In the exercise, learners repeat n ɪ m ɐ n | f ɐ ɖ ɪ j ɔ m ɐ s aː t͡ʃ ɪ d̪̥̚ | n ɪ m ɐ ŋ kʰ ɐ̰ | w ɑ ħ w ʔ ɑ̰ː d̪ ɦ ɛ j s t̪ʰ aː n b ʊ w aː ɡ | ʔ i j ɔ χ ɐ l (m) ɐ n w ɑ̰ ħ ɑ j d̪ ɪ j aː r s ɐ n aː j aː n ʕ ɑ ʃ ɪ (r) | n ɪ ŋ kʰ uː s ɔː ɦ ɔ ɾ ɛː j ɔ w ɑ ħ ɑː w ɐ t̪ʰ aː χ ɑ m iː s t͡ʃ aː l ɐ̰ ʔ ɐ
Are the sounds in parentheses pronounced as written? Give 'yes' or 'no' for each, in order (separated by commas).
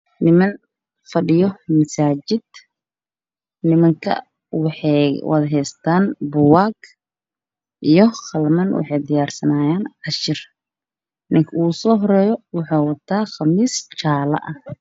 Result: yes, yes